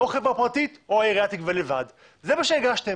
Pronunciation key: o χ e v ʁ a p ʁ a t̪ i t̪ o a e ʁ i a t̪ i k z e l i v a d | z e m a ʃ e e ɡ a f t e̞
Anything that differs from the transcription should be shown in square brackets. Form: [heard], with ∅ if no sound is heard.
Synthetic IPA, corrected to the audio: o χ e v ʁ a p ʁ a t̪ i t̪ o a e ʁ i a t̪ i k [v] e l [e] v a d | z e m a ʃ e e ɡ a [ʃ] t e̞